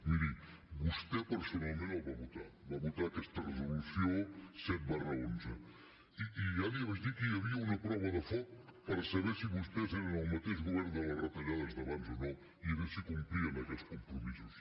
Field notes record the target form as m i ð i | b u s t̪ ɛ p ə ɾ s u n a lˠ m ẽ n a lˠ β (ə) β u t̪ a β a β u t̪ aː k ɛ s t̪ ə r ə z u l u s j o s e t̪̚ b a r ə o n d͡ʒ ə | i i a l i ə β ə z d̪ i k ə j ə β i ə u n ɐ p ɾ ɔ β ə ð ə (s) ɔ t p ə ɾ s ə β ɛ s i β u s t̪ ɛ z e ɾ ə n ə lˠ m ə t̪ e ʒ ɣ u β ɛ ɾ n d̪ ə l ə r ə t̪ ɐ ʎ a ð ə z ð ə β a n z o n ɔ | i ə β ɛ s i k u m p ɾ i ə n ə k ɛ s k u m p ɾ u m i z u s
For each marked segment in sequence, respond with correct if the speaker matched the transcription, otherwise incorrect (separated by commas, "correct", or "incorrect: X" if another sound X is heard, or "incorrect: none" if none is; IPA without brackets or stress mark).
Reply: incorrect: a, incorrect: f